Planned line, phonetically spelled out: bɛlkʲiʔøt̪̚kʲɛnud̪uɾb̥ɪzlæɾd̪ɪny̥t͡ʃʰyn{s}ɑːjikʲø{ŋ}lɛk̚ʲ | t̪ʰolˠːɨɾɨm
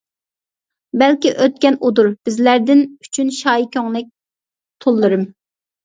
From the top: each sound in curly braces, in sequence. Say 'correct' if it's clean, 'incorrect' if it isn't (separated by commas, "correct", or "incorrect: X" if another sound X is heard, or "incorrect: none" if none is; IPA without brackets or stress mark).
incorrect: ʃ, correct